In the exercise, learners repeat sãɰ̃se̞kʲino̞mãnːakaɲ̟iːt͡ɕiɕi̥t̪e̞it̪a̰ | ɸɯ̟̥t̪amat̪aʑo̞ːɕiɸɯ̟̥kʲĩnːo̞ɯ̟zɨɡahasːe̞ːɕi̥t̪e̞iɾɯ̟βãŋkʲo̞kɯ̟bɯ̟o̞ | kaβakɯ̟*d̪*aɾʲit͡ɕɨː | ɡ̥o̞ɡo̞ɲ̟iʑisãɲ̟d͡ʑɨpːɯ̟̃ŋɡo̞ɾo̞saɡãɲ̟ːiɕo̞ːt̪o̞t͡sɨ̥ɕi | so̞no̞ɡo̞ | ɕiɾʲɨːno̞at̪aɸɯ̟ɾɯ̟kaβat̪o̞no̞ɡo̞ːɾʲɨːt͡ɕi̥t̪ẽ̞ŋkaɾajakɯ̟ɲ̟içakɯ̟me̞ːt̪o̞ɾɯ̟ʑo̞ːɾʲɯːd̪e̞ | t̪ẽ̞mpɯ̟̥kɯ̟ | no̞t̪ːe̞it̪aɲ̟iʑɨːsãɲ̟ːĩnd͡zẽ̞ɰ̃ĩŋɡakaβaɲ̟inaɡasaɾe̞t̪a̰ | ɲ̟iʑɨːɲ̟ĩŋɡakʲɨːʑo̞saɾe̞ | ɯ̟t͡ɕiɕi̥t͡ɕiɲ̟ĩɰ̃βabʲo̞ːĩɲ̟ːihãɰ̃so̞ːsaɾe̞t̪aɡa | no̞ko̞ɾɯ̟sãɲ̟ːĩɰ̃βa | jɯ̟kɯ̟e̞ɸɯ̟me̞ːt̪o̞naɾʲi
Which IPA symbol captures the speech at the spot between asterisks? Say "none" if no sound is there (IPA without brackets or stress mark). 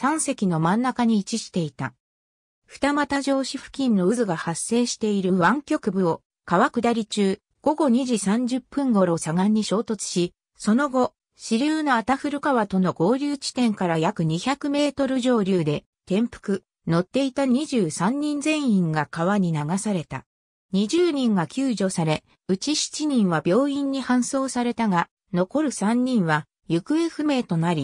d̪